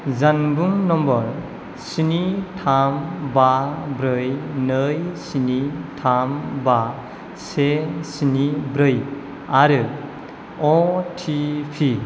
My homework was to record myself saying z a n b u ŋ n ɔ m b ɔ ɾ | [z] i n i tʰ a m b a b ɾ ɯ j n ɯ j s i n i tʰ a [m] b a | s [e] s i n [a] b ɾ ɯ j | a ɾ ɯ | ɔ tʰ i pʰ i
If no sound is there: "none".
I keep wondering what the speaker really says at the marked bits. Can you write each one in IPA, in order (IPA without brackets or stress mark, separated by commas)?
s, m, e, i